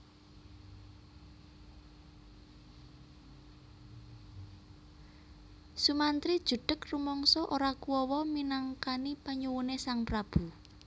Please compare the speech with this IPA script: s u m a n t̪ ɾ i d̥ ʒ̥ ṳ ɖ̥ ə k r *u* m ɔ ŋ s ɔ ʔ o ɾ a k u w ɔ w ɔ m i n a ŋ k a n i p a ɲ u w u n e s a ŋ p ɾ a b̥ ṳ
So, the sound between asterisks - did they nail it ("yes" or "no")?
yes